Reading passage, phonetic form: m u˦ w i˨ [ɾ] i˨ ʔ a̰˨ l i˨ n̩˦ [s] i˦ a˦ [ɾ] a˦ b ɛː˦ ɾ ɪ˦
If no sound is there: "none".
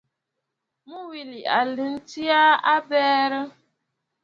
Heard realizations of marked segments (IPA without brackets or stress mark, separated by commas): l, t, none